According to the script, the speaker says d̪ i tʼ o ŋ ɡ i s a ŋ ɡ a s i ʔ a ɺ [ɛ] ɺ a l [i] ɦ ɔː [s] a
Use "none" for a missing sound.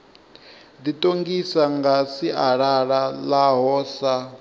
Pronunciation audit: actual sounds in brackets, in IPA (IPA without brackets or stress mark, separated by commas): a, a, s